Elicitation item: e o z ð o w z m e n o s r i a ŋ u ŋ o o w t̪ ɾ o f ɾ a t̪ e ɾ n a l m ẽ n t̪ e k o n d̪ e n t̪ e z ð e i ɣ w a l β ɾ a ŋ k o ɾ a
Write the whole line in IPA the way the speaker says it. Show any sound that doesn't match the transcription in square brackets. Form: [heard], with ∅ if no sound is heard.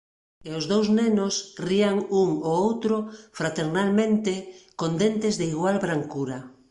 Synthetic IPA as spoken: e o z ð o w z [n] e n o s r i a ŋ u ŋ o o w t̪ ɾ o f ɾ a t̪ e ɾ n a l m ẽ n t̪ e k o n d̪ e n t̪ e z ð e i ɣ w a l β ɾ a ŋ k [u] ɾ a